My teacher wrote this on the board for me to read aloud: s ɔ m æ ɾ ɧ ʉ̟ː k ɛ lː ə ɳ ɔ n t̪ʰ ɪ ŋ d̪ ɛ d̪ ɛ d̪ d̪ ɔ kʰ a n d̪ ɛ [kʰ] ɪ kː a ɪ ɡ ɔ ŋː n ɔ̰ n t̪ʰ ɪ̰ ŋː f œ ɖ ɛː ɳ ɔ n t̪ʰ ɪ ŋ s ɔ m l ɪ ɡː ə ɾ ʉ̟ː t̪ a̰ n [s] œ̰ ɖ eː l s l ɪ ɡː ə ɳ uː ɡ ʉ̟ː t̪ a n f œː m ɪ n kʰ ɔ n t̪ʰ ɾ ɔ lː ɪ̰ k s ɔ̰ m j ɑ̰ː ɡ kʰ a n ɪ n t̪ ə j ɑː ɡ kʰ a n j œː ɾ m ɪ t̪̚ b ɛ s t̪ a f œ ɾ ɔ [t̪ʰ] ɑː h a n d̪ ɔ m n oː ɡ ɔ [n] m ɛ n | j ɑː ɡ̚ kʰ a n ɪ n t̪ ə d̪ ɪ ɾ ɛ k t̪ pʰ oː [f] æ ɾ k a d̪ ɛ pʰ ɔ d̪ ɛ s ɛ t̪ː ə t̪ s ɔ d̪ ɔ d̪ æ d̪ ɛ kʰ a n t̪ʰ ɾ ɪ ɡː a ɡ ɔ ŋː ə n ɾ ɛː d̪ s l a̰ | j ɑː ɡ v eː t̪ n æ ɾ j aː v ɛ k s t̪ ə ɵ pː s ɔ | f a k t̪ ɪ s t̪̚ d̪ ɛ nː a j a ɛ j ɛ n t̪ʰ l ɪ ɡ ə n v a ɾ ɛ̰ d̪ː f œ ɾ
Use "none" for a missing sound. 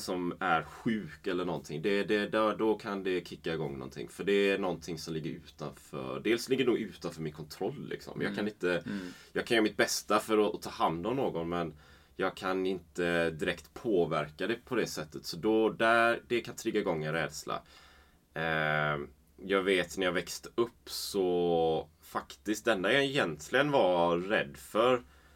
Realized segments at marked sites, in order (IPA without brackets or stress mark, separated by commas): kʰ, f, t̪ʰ, n, v